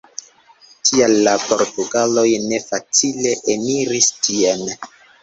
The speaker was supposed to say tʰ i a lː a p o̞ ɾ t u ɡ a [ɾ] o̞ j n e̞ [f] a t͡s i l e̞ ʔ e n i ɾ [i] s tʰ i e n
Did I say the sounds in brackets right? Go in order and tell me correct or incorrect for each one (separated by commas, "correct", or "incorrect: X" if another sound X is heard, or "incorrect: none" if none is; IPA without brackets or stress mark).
incorrect: l, correct, correct